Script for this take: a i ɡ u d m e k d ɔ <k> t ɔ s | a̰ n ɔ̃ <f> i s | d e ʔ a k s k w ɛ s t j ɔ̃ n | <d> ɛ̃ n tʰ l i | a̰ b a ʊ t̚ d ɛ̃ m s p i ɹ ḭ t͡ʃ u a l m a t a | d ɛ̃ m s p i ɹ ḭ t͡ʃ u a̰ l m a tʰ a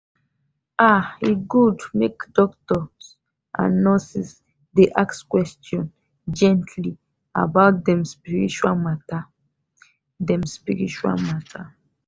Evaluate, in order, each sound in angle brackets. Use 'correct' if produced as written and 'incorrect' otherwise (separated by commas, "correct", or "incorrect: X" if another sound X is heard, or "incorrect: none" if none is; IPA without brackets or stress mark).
correct, incorrect: s, incorrect: d͡ʒ